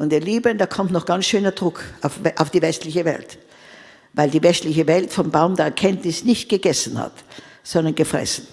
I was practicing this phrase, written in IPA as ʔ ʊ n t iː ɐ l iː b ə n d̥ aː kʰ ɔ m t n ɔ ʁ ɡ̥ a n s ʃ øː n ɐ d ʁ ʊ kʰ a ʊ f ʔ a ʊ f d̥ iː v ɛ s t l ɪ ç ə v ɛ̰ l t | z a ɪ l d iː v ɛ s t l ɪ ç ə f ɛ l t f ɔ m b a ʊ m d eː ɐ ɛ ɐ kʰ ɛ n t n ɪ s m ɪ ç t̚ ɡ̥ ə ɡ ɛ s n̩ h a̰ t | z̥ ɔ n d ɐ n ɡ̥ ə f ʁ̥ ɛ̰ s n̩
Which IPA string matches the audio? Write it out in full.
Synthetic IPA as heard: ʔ ʊ n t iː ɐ l iː b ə n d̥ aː kʰ ɔ m t n ɔ χ ɡ̥ a n s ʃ øː n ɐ d ʁ ʊ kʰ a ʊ f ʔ a ʊ f d̥ iː v ɛ s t l ɪ ç ə v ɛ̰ l t | v a ɪ l d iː v ɛ s t l ɪ ç ə v ɛ l t f ɔ m b a ʊ m d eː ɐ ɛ ɐ kʰ ɛ n t n ɪ s n ɪ ç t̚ ɡ̥ ə ɡ ɛ s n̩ h a̰ t | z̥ ɔ n d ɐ n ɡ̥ ə f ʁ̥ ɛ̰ s n̩